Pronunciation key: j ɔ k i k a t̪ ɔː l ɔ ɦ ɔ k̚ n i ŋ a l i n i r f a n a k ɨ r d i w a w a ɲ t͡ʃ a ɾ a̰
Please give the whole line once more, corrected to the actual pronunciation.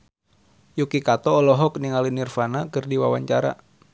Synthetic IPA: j u k i k a t̪ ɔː l ɔ ɦ ɔ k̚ n i ŋ a l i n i r f a n a k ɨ r d i w a w a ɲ t͡ʃ a ɾ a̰